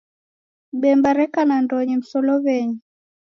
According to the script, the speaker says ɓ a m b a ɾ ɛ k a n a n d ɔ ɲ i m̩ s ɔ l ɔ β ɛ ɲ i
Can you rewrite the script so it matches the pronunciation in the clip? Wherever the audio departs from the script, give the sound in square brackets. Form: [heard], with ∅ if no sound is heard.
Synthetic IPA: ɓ [ɛ] m b a ɾ ɛ k a n a n d ɔ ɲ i m̩ s ɔ l ɔ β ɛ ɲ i